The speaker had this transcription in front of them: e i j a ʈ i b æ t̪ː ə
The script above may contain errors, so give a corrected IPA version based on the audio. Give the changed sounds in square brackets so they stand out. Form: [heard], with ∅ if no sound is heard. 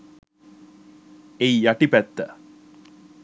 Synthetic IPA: e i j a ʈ i [p] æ t̪ː ə